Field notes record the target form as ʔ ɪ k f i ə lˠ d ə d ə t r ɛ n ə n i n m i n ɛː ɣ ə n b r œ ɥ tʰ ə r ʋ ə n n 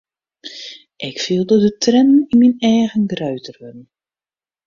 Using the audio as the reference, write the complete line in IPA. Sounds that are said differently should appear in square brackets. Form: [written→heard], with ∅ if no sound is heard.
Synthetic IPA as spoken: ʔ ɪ k f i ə lˠ d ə d ə t r ɛ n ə n i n m i n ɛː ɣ ə n [b→ɡ] r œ ɥ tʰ ə r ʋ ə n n